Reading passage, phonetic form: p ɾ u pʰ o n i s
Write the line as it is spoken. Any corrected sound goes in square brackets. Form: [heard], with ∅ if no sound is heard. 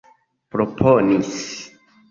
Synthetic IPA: p ɾ [o] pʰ o n i s

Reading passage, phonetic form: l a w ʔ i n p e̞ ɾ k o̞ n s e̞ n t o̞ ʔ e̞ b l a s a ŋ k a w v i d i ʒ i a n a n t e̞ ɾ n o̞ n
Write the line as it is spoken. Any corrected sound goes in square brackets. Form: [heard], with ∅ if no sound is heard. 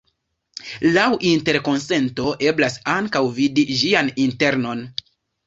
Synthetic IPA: l a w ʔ i n [t] e̞ ɾ k o̞ n s e̞ n t o̞ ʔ e̞ b l a s a ŋ k a w v i d i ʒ i a n [i] n t e̞ ɾ n o̞ n

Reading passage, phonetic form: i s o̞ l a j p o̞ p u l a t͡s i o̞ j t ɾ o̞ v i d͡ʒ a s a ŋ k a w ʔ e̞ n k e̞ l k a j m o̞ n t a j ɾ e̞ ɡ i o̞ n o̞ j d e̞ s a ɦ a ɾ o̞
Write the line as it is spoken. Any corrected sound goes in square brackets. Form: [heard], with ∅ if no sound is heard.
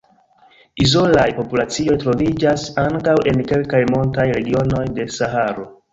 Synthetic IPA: i [z] o̞ l a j p o̞ p u l a t͡s i o̞ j t ɾ o̞ v i d͡ʒ a s a ŋ k a w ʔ e̞ n k e̞ l k a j m o̞ n t a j ɾ e̞ ɡ i o̞ n o̞ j d e̞ s a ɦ a ɾ o̞

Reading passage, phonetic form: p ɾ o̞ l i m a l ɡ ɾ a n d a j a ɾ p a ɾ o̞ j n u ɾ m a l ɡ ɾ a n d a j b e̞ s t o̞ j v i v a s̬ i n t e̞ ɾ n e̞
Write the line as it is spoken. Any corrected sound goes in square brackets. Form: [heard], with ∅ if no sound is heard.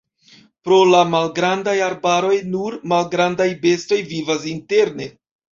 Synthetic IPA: p ɾ o̞ l [a] m a l ɡ ɾ a n d a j a ɾ [b] a ɾ o̞ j n u ɾ m a l ɡ ɾ a n d a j b e̞ s t o̞ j v i v a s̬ i n t e̞ ɾ n e̞

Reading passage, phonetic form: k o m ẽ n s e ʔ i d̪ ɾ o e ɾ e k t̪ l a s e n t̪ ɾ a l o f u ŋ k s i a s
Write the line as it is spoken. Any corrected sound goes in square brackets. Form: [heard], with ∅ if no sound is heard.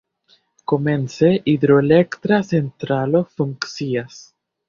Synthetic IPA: k o m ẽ n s e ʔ i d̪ ɾ o e [l] e k t̪ [ɾ] a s e n t̪ ɾ a l o f u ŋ k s i a s

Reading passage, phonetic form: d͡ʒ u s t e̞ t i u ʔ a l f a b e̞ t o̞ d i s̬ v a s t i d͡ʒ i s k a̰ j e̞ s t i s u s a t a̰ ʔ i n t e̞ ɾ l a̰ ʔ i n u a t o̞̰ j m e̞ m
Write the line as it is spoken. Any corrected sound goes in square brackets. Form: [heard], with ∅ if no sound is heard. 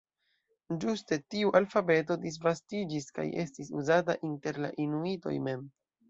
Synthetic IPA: d͡ʒ u s t e̞ t i u ʔ a l f a b e̞ t o̞ d i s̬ v a s t i d͡ʒ i s k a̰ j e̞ s t i s u [z] a t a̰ ʔ i n t e̞ ɾ l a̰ ʔ i n u [i] t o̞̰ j m e̞ m

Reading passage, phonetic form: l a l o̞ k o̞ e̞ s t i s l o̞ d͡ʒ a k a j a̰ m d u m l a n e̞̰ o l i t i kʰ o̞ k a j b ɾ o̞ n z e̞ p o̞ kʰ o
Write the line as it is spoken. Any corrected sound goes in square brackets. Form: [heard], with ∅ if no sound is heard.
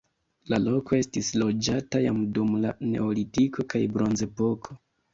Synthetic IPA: l a l o̞ k o̞ e̞ s t i s l o̞ d͡ʒ a [t] a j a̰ m d u m l a n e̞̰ o l i t i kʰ o̞ k a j b ɾ o̞ n z e̞ p o̞ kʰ o

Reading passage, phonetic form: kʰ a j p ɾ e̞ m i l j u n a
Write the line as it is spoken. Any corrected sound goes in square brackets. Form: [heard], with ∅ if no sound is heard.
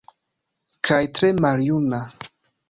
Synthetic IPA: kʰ a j [t] ɾ e̞ m [a] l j u n a

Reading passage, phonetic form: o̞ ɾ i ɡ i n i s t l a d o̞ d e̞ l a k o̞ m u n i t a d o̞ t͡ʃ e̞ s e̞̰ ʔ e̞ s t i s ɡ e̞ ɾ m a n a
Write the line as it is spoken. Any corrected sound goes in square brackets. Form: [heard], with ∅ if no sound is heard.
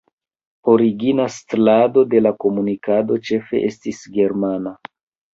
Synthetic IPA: o̞ ɾ i ɡ i n [a] s t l a d o̞ d e̞ l a k o̞ m u n i [k] a d o̞ t͡ʃ e̞ [f] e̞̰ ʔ e̞ s t i s ɡ e̞ ɾ m a n a

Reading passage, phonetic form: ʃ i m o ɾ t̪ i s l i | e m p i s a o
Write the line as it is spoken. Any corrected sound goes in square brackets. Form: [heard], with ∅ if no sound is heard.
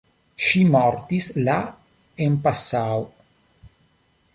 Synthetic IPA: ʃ i m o ɾ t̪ i s l [a] | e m p [a] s a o

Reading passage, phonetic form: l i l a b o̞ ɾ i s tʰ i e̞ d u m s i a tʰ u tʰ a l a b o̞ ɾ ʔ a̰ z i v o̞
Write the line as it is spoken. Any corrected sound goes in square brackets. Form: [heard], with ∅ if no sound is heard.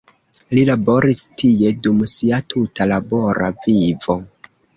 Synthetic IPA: l i l a b o̞ ɾ i s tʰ i e̞ d u m s i a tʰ u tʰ a l a b o̞ ɾ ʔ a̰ [v] i v o̞

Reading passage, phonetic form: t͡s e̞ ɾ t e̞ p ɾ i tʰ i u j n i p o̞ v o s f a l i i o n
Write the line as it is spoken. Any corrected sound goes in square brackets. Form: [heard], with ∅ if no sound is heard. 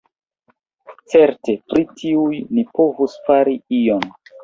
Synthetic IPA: t͡s e̞ ɾ t e̞ p ɾ i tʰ i u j n i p o̞ v [u] s f a [ɾ] i i o n

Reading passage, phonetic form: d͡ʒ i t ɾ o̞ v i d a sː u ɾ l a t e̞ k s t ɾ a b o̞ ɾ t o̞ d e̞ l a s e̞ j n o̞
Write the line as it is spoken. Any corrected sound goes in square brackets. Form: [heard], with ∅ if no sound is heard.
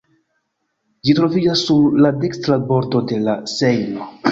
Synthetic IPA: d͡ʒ i t ɾ o̞ v i [d͡ʒ] a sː u ɾ l a [d] e̞ k s t ɾ a b o̞ ɾ t o̞ d e̞ l a s e̞ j n o̞

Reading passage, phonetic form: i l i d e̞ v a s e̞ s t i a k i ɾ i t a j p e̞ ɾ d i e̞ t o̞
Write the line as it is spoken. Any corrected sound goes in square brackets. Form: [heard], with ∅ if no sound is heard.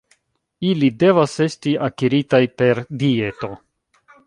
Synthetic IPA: i l i d e̞ v a s e̞ s t i a k i ɾ i t a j p e̞ ɾ d i e̞ t o̞

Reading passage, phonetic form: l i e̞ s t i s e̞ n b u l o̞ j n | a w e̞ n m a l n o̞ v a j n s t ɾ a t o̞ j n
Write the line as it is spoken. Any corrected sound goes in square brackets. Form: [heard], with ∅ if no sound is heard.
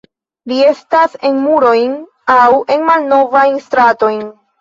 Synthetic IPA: l i e̞ s t [a] s e̞ n [m] u [ɾ] o̞ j n | a w e̞ n m a l n o̞ v a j n s t ɾ a t o̞ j n

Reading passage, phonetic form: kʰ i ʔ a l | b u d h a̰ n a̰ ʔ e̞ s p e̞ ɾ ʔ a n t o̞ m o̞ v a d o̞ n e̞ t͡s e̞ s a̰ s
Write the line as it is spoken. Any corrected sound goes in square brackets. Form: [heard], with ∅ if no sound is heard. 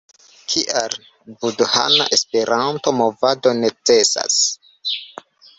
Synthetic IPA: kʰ i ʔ a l | b u d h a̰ n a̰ ʔ e̞ s p e̞ ɾ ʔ a n t o̞ m o̞ v a d o̞ n e̞ t͡s e̞ s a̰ s

